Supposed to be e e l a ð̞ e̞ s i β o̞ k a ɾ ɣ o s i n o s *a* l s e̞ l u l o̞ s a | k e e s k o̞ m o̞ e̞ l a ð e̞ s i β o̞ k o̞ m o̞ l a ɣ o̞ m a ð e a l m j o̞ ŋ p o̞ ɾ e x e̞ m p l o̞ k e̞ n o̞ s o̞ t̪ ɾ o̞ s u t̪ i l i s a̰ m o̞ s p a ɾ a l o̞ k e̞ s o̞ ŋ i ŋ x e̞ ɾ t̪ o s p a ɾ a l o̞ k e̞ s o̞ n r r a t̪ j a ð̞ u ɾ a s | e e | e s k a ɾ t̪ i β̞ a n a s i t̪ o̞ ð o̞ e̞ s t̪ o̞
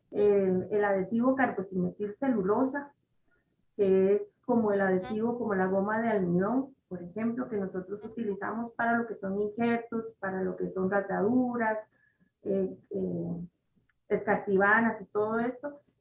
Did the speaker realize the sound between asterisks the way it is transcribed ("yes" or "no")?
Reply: no